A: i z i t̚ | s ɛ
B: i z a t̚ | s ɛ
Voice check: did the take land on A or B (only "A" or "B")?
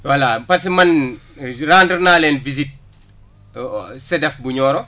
A